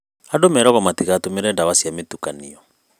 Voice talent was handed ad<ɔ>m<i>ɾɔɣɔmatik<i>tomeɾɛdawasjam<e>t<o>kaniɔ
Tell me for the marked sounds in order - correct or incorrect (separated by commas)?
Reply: incorrect, incorrect, incorrect, correct, incorrect